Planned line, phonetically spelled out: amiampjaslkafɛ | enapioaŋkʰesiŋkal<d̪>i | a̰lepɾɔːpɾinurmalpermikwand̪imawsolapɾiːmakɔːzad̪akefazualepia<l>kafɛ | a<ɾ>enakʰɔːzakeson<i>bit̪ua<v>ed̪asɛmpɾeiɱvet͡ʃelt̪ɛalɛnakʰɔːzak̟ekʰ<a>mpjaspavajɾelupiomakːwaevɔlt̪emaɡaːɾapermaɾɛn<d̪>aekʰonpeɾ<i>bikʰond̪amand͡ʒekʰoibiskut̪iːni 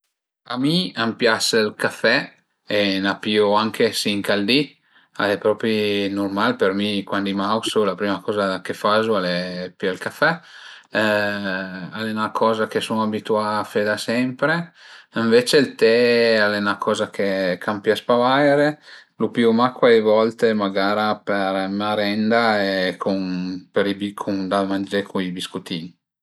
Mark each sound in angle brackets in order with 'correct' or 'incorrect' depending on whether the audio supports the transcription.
correct, correct, incorrect: l, incorrect: a, incorrect: f, correct, correct, correct

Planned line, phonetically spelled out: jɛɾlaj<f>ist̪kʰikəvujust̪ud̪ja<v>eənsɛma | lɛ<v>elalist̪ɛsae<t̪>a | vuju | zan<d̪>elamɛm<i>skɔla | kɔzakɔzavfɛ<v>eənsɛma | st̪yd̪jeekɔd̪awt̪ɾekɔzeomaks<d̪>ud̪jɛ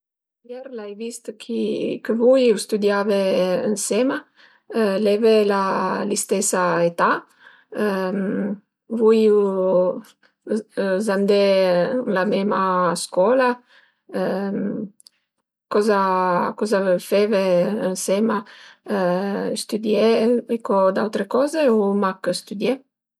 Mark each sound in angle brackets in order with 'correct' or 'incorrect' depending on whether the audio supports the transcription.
incorrect: v, correct, correct, correct, correct, incorrect: a, correct, incorrect: t̪

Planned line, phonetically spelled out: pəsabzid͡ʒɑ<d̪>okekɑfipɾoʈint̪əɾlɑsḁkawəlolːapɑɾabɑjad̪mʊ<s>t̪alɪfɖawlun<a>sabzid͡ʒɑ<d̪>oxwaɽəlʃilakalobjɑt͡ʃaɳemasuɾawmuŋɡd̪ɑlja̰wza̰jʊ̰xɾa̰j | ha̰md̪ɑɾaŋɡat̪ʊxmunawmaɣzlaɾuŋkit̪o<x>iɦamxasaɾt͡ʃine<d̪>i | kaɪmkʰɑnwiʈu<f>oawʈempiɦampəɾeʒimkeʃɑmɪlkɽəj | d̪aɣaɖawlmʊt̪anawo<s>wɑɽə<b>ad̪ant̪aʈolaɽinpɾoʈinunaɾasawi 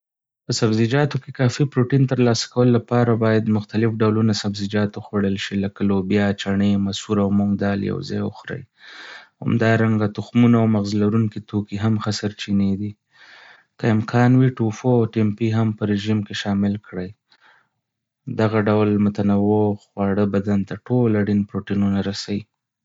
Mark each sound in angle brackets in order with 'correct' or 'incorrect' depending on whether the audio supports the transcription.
incorrect: t̪, incorrect: x, correct, incorrect: t̪, incorrect: k, correct, correct, incorrect: x, correct

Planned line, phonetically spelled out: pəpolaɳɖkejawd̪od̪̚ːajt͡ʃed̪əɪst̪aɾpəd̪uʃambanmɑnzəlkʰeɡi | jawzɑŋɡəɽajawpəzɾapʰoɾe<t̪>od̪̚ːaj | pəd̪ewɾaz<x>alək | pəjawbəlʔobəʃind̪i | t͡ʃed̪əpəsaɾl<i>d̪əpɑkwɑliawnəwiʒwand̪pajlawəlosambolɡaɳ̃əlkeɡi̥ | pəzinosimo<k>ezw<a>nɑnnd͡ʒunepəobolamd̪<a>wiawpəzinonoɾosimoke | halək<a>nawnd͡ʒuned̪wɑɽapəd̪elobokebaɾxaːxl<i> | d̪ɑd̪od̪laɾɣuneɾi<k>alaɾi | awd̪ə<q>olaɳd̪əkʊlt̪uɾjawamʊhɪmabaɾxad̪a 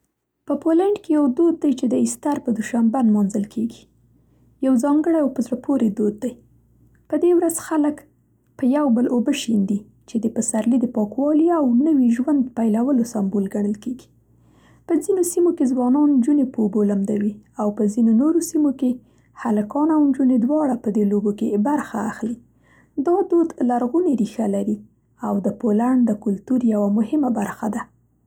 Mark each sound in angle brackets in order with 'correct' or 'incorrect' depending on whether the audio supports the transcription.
incorrect: d̪, correct, correct, correct, incorrect: ɑ, correct, incorrect: ɑ, correct, incorrect: x, incorrect: p

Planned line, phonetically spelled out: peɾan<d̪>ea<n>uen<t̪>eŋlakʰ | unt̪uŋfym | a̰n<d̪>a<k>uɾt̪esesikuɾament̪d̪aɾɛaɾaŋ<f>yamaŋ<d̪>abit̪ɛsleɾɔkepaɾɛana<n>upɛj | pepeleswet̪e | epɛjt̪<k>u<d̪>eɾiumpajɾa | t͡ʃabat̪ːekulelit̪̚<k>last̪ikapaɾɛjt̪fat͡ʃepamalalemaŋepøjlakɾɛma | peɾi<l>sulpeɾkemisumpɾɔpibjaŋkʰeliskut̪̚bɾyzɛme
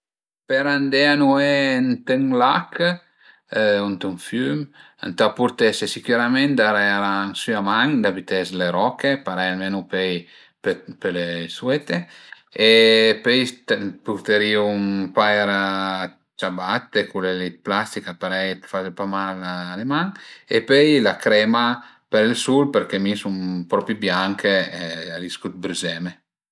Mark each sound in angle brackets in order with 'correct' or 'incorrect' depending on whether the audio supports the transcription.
correct, correct, correct, incorrect: t̪, incorrect: p, incorrect: s, correct, correct, incorrect: p, incorrect: t̪, incorrect: p, correct

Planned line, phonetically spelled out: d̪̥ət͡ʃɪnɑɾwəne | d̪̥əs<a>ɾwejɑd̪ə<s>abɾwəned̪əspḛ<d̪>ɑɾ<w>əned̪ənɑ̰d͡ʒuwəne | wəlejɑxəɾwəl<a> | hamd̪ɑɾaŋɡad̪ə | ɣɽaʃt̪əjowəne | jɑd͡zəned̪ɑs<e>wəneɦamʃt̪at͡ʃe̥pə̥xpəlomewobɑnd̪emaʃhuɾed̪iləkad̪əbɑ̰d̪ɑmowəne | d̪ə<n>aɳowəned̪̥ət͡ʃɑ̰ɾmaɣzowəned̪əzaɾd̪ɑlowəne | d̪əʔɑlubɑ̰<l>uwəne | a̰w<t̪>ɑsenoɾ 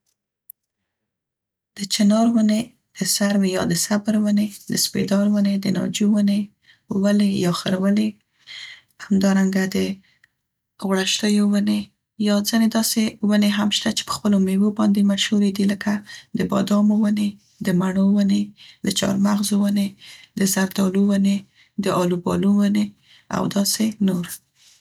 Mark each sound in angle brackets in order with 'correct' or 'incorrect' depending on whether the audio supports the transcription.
correct, correct, correct, correct, incorrect: e, correct, incorrect: m, correct, incorrect: d̪

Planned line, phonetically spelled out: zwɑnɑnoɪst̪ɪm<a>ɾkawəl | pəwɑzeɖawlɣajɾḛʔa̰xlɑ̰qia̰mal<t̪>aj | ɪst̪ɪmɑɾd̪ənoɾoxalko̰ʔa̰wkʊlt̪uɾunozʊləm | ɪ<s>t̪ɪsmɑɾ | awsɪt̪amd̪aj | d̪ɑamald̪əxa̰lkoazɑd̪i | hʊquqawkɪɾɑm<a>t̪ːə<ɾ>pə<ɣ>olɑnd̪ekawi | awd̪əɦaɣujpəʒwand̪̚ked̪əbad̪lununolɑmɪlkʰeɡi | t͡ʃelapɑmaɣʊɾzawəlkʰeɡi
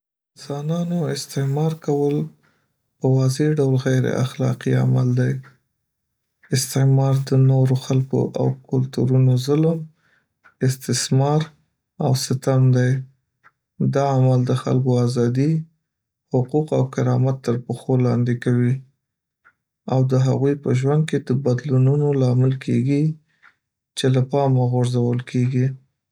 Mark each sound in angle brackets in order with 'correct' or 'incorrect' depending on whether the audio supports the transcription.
incorrect: ɑ, incorrect: d̪, correct, correct, correct, incorrect: x

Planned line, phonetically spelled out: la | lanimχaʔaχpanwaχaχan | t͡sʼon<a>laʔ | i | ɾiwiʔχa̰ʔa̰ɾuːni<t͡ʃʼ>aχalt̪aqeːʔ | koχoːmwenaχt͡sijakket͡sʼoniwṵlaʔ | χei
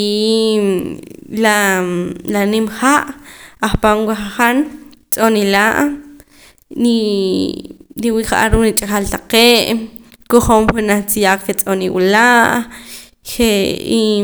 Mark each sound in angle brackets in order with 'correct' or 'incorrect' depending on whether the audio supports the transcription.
incorrect: i, correct

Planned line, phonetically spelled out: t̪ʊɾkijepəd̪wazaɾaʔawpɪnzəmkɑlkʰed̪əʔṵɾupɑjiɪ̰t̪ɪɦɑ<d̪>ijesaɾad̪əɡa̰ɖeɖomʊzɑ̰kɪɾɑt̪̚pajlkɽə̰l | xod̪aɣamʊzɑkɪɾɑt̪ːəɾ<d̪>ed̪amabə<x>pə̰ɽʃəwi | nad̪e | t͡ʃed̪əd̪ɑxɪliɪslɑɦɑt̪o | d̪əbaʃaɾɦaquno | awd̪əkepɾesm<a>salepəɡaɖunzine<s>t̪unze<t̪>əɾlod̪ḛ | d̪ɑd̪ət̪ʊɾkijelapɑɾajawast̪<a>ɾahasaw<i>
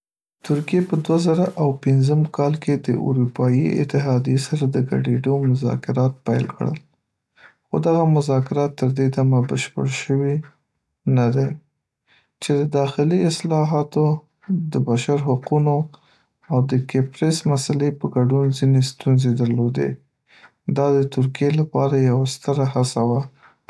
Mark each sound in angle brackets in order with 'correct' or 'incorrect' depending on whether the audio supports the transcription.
correct, correct, incorrect: ʃ, correct, correct, incorrect: d̪, incorrect: ə, incorrect: a

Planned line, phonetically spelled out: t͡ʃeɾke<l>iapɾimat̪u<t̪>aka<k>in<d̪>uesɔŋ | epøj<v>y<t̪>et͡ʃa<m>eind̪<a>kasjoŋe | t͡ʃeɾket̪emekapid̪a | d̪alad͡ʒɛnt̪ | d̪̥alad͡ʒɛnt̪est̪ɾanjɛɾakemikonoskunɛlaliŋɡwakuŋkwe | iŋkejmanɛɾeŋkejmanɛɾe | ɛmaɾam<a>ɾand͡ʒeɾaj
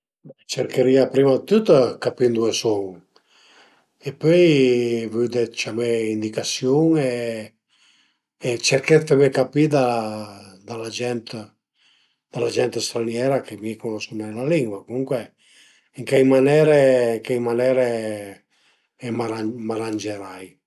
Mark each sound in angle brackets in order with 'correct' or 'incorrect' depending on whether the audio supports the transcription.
incorrect: ɾ, correct, incorrect: p, correct, correct, incorrect: d̪, correct, incorrect: i, correct

